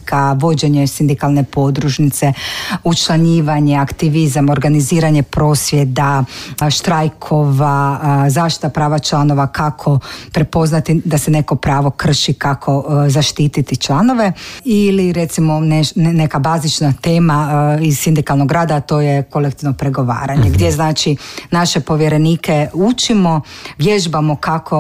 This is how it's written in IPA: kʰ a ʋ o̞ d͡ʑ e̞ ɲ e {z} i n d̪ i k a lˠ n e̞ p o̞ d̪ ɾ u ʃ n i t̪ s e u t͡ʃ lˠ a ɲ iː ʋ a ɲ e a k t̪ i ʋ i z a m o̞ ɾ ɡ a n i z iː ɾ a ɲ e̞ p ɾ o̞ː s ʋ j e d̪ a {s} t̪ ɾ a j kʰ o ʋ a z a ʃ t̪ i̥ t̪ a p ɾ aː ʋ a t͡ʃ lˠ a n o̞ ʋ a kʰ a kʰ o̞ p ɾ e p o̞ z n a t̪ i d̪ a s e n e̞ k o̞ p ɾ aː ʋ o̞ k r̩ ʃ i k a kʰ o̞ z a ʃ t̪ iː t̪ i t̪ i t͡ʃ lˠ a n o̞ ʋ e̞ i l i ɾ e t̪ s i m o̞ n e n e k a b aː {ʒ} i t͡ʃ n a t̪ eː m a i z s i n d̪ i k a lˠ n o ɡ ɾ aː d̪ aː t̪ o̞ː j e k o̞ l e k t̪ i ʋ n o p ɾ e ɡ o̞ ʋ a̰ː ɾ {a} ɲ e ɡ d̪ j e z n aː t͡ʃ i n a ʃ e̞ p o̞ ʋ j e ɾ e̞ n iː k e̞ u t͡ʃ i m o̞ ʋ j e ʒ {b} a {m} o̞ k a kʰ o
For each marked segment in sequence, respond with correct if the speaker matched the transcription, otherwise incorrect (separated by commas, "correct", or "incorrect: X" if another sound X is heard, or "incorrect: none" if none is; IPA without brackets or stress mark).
incorrect: s, incorrect: ʃ, incorrect: z, correct, correct, correct